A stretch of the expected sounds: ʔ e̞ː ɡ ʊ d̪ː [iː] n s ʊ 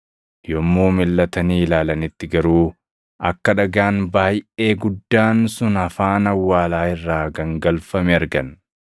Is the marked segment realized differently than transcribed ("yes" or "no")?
yes